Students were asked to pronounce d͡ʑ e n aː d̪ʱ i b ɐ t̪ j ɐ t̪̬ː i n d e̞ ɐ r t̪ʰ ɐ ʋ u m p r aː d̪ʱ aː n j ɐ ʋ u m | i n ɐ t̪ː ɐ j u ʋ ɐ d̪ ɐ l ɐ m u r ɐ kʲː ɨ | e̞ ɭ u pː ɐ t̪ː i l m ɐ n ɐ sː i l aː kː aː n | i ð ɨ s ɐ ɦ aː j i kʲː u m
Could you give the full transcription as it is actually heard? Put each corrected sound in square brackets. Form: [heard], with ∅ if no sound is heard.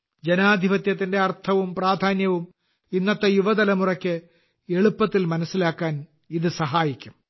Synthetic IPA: d͡ʑ e n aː d̪ʱ i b ɐ t̪ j ɐ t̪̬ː i n d e̞ ɐ r t̪ʰ ɐ ʋ u m p r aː d̪ʱ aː n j ɐ ʋ u m | i [nː] ɐ t̪ː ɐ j u ʋ ɐ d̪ ɐ l ɐ m u r ɐ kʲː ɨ | e̞ ɭ u pː ɐ t̪ː i l m ɐ n ɐ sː i l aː kː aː n | i ð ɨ s ɐ ɦ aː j i kʲː u m